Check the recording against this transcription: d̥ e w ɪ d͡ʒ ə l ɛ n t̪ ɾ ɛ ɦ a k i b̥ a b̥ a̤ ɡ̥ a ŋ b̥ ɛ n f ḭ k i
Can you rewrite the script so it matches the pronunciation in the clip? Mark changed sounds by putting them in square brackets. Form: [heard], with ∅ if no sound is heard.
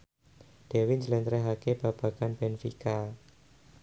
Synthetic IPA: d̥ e w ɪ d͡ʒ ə l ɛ n t̪ ɾ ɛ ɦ a k [e] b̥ a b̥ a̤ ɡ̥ a [n] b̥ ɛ n f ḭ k [a]

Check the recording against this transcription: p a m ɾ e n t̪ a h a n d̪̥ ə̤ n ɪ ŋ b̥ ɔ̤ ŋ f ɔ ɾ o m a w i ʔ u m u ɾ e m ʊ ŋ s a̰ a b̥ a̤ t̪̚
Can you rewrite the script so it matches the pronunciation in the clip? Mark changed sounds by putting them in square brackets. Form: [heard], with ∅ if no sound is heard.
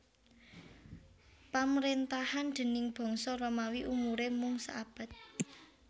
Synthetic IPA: p a m ɾ e n t̪ a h a n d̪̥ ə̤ n ɪ ŋ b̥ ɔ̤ ŋ [s] ɔ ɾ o m a w i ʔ u m u ɾ e m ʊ ŋ s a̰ a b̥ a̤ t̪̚

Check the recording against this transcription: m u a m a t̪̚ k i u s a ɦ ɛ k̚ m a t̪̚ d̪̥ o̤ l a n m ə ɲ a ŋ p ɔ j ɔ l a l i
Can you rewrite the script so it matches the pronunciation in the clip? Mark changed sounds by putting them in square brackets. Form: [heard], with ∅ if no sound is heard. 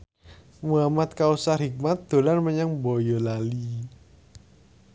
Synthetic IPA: m u a m a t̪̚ k [a] u s a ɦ [i] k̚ m a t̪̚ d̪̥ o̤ l a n m ə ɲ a ŋ [b] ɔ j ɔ l a l i

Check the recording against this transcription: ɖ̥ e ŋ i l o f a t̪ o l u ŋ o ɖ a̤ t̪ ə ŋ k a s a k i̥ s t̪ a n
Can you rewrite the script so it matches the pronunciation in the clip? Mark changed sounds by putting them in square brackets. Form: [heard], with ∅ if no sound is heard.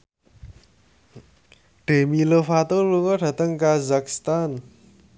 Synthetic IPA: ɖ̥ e [m] i l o f a t̪ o l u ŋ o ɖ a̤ t̪ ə ŋ k a [z] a k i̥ s t̪ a n

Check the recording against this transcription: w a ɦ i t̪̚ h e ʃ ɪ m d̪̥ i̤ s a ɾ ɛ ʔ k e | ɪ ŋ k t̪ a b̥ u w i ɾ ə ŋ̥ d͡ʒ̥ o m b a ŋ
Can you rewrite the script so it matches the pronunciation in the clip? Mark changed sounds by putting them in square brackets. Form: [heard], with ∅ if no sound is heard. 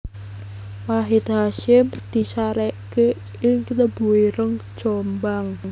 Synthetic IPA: w a ɦ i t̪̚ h [a] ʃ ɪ m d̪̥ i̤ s a ɾ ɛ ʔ k e | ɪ ŋ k t̪ [ə] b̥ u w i ɾ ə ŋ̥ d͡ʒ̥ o m b a ŋ

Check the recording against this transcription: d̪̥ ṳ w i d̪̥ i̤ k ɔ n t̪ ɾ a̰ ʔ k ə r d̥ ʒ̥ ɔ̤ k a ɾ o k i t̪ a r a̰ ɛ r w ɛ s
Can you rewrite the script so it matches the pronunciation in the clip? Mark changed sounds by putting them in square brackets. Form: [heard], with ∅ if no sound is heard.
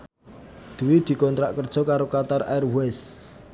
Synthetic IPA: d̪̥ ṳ w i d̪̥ i̤ k ɔ n t̪ ɾ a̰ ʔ k ə r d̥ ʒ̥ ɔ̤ k a ɾ o k [a] t̪ a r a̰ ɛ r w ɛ s

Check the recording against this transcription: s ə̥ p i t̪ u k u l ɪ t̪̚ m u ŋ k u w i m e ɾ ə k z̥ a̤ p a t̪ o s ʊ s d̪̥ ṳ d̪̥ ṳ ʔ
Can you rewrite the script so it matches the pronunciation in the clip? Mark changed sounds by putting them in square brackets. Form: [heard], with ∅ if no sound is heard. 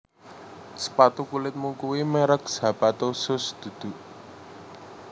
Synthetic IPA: s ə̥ p [a] t̪ u k u l ɪ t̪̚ m u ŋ k u w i m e ɾ ə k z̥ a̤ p a t̪ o s ʊ s d̪̥ ṳ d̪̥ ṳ ʔ

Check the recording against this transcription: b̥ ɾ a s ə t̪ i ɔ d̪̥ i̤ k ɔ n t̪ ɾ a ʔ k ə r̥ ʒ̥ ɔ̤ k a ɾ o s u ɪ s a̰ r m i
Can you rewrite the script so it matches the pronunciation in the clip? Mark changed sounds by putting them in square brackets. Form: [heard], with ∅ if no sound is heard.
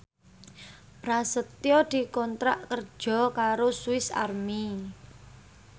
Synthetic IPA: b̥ ɾ a s ə t̪ [j] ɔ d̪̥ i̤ k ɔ n t̪ ɾ a ʔ k ə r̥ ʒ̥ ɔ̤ k a ɾ o s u ɪ s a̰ r m i

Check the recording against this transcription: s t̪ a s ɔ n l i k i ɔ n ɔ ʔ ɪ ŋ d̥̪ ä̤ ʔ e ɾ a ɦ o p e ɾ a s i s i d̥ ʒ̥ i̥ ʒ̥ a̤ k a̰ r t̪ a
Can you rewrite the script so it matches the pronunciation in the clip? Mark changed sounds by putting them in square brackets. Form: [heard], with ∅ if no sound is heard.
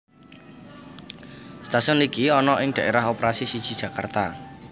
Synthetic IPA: s t̪ a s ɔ n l i k i ɔ n ɔ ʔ ɪ ŋ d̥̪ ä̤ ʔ e ɾ a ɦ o p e ɾ a s i s i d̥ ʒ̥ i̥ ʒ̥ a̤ k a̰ r t̪ a

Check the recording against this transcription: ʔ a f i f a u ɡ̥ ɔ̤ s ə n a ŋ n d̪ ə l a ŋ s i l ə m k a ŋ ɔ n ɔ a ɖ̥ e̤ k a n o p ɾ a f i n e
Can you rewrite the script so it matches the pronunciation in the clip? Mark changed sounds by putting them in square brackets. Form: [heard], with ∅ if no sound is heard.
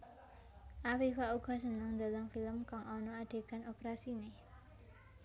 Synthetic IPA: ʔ a f i f a u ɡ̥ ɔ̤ s ə n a ŋ n d̪ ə l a ŋ [f] i l ə m k a ŋ ɔ n ɔ a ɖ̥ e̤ k a n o p ɾ a [s] i n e

